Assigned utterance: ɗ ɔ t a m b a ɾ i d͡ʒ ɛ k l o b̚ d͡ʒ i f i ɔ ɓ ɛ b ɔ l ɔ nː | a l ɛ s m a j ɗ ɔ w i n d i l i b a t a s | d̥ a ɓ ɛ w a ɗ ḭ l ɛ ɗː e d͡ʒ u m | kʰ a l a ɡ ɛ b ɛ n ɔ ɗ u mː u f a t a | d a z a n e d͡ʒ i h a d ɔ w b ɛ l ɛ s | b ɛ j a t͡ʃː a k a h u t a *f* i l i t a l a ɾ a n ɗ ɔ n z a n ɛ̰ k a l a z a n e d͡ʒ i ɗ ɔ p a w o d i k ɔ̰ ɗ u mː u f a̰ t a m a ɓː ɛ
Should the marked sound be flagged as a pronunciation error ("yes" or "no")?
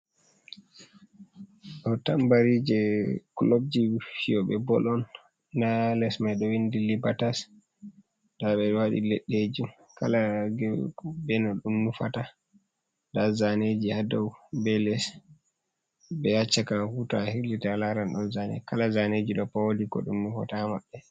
yes